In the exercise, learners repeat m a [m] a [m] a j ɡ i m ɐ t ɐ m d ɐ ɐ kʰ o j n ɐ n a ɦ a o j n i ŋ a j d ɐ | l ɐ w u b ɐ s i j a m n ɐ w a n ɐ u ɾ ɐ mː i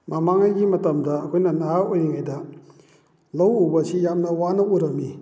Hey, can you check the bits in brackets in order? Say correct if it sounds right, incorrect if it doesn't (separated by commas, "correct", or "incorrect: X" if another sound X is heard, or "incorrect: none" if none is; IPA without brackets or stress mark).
correct, incorrect: ŋ